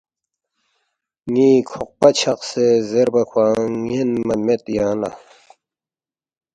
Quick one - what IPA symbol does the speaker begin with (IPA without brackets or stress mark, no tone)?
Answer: ŋ